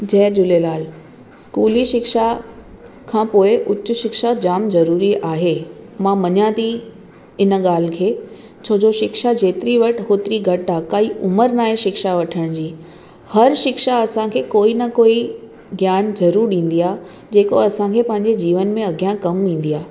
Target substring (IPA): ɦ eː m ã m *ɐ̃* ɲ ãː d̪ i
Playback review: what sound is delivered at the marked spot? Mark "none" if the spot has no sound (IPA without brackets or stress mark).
ɐ